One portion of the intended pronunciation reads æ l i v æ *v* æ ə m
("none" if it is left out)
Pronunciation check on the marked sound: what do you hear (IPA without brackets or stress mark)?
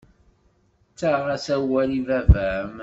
v